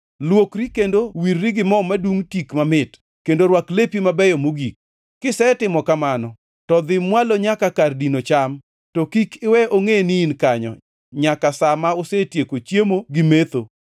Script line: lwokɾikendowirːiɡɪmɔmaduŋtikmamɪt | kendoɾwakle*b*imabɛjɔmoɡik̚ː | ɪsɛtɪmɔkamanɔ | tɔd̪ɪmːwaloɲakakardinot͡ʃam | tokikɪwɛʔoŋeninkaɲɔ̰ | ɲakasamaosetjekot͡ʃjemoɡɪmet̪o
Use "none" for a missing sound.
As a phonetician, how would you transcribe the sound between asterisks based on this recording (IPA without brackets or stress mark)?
p